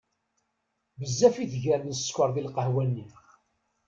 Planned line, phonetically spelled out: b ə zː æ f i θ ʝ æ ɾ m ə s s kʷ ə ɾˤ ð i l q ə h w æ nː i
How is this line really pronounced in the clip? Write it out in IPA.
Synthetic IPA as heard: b ə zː æ f i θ ʝ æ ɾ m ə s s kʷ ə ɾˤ ð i l q ə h w æ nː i